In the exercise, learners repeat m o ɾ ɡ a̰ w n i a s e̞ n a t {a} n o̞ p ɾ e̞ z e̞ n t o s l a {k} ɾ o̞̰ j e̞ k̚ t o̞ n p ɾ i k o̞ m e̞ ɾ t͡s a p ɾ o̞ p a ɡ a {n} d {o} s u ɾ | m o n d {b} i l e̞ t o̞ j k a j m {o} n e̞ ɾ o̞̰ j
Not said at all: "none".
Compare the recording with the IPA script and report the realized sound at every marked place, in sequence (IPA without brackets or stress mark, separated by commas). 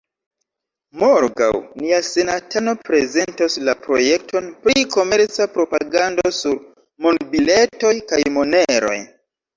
a, p, n, o, b, o